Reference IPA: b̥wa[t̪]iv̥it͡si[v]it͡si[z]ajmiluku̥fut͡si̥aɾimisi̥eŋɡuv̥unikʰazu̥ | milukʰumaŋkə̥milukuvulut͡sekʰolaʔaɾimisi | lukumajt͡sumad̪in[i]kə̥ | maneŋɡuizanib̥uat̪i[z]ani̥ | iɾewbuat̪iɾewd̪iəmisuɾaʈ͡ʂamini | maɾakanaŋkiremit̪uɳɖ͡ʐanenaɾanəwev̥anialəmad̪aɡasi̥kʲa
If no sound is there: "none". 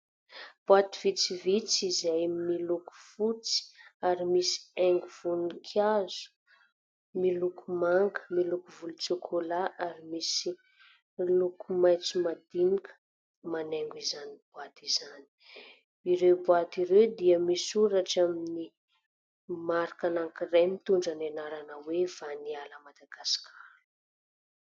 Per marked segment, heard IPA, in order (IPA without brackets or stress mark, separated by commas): t̪, v, z, i, z